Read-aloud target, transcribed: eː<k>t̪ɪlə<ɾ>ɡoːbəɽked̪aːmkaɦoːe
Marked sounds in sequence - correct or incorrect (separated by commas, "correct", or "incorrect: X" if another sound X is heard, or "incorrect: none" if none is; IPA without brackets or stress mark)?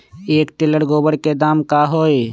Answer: correct, incorrect: ɽ